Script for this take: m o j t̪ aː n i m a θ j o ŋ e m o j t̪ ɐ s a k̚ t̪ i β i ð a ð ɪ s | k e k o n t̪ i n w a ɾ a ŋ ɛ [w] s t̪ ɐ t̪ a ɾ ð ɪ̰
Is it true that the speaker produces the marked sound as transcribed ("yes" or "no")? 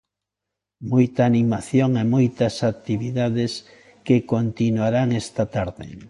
no